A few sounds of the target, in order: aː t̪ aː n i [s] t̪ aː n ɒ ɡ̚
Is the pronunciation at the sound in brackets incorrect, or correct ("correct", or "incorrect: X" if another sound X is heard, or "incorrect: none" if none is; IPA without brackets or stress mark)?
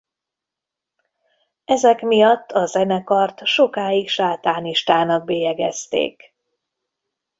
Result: incorrect: ʃ